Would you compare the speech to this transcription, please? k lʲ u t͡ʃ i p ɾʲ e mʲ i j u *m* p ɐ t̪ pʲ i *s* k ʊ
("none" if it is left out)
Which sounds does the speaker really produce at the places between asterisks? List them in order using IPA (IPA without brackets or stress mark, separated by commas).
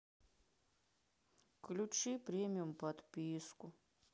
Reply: m, s